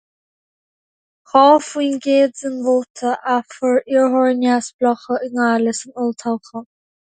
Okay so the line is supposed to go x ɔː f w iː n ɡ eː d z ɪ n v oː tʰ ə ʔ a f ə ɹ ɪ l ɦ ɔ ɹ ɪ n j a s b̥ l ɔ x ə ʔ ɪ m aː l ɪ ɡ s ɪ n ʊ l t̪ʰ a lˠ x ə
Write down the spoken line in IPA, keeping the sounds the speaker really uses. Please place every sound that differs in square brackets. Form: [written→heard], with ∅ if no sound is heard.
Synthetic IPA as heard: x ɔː f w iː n ɡ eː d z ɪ n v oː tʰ ə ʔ a f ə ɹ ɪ [l→ɹ] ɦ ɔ ɹ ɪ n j a s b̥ l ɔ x ə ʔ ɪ [m→ŋ] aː l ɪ [ɡ→∅] s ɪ n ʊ l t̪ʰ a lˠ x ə